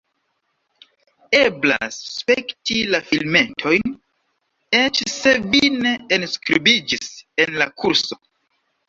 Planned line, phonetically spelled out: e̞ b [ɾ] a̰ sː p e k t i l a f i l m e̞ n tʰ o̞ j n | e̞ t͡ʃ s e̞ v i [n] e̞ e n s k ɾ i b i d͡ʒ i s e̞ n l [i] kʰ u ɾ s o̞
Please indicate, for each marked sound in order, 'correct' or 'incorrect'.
incorrect: l, correct, incorrect: a

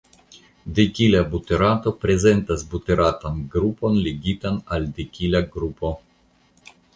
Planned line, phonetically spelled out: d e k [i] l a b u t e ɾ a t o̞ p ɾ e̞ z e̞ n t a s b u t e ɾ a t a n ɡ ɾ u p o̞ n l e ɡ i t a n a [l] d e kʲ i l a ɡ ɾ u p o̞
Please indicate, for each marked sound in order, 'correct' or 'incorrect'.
correct, correct

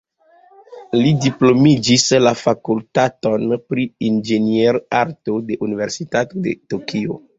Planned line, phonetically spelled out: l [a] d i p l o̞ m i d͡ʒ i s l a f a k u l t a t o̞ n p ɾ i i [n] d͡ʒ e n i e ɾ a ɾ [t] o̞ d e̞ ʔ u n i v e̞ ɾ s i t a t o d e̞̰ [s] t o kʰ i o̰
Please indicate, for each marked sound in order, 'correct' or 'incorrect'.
incorrect: i, correct, correct, incorrect: none

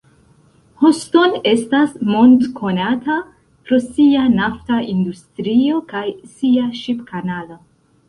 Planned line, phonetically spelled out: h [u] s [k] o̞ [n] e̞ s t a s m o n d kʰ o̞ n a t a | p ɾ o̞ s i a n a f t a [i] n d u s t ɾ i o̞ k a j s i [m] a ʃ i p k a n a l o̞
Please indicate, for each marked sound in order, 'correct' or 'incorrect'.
incorrect: o, incorrect: t, correct, correct, incorrect: none

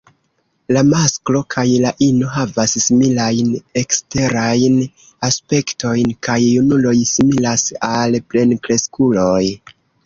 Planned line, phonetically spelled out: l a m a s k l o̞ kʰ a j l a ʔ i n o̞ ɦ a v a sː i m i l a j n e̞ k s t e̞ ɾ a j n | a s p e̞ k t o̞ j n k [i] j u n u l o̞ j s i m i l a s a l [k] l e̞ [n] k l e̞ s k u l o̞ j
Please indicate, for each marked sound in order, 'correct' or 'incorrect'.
incorrect: a, incorrect: p, correct

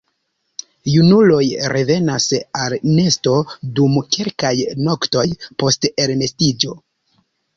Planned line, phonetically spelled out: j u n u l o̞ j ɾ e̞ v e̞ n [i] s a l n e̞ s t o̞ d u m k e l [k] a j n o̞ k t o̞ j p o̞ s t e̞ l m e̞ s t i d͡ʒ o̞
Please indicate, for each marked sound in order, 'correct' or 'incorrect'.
incorrect: a, correct

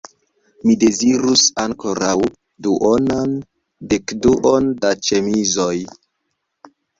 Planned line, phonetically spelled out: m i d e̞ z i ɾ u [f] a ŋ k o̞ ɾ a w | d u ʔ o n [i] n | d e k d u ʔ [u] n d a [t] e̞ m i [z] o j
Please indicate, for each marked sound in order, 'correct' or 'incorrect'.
incorrect: s, incorrect: a, incorrect: o, incorrect: t͡ʃ, correct

